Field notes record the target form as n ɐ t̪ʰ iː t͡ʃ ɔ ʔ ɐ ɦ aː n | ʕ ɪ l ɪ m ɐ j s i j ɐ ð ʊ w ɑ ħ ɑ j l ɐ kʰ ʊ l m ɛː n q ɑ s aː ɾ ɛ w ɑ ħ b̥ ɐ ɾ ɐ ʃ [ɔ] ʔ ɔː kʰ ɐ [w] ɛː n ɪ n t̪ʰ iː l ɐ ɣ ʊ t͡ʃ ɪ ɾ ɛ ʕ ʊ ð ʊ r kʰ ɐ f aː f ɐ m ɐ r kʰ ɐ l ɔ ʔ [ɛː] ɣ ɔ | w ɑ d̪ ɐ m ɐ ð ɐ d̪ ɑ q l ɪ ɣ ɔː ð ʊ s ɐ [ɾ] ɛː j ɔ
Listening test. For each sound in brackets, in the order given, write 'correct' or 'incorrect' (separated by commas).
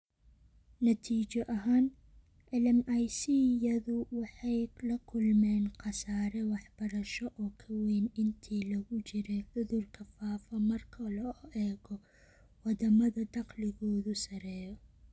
correct, correct, correct, correct